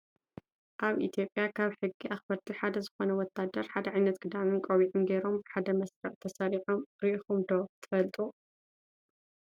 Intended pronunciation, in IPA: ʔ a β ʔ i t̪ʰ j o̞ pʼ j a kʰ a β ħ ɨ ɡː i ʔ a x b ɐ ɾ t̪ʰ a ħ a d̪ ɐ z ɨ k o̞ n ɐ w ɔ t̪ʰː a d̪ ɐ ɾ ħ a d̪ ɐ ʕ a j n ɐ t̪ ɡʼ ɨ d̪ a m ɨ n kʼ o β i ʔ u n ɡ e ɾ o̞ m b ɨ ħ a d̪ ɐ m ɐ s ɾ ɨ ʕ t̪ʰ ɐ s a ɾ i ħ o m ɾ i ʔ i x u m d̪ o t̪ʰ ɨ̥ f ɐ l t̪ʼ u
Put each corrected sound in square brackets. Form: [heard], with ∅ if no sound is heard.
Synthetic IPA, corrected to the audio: ʔ a β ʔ i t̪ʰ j o̞ pʼ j a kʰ a β ħ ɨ ɡː i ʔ a x b ɐ ɾ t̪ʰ [i] ħ a d̪ ɐ z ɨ [x] o̞ n ɐ w ɔ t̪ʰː a d̪ ɐ ɾ ħ a d̪ ɐ ʕ a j n ɐ t̪ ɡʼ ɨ d̪ a m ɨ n kʼ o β i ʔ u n ɡ e ɾ o̞ m b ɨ ħ a d̪ ɐ m ɐ s ɾ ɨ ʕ t̪ʰ ɐ s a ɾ i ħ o m ɾ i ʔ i x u m d̪ o t̪ʰ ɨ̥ f ɐ l t̪ʼ u